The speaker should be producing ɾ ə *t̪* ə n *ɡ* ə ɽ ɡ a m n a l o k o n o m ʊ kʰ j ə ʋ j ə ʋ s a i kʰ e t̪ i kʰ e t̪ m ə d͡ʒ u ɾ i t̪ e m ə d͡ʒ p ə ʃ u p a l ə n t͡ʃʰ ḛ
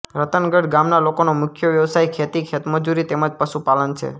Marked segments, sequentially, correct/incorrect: correct, correct

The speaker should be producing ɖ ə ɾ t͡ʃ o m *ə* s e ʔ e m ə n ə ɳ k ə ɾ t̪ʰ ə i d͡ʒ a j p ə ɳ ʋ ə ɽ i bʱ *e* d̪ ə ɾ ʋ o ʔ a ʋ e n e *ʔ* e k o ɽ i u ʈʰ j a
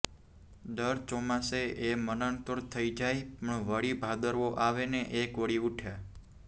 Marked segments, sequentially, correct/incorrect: incorrect: a, incorrect: a, correct

